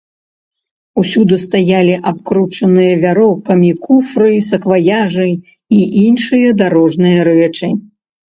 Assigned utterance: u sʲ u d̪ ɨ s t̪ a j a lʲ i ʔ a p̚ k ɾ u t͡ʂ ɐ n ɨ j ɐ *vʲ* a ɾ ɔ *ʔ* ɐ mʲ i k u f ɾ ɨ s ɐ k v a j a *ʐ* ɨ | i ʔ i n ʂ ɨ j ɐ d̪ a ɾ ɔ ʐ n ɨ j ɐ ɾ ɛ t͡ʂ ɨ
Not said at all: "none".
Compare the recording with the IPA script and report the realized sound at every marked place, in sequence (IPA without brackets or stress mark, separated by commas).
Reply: vʲ, k, ʐ